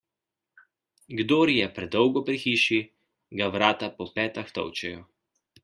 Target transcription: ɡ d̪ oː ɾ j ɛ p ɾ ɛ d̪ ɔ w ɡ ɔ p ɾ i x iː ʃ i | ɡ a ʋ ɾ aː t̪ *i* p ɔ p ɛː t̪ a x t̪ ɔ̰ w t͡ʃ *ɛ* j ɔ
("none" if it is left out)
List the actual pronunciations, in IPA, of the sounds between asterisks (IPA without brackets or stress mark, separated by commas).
a, ɛ